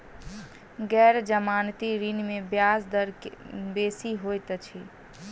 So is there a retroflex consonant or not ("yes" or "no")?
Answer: no